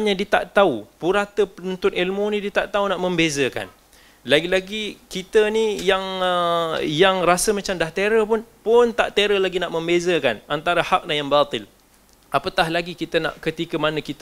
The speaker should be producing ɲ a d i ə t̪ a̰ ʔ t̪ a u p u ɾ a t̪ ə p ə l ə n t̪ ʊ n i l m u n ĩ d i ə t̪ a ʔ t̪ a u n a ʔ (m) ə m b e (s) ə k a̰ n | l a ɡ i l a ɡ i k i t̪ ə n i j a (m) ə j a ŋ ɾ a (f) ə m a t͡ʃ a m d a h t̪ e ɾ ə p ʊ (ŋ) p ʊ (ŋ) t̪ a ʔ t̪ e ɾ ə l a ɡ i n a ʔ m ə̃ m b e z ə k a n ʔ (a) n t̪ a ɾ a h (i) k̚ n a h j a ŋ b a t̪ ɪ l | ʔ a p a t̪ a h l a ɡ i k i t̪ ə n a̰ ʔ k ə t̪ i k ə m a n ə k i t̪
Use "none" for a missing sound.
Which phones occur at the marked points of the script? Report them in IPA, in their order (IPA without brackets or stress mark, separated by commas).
m, z, ŋ, s, n, n, a, a